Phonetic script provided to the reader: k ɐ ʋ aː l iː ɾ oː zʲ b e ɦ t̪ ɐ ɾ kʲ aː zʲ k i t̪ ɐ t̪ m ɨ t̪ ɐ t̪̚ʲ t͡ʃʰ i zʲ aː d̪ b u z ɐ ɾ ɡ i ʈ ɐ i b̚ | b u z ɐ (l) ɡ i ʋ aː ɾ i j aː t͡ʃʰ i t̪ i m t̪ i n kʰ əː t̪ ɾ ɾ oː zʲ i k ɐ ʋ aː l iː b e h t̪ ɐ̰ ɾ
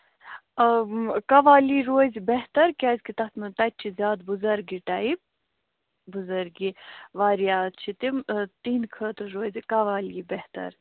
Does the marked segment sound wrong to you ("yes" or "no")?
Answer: yes